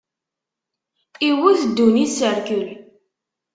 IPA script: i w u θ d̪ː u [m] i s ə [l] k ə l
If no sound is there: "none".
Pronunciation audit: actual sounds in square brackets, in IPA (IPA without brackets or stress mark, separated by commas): n, ɾ